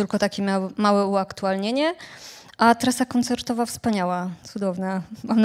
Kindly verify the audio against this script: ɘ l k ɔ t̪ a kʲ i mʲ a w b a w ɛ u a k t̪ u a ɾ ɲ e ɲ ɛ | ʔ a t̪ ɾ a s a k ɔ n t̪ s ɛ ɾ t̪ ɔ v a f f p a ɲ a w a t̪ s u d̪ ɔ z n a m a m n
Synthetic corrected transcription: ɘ l k ɔ t̪ a kʲ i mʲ a w m a w ɛ u a k t̪ u a l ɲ e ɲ ɛ | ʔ a t̪ ɾ a s a k ɔ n t̪ s ɛ ɾ t̪ ɔ v a f s p a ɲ a w a t̪ s u d̪ ɔ v n a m a m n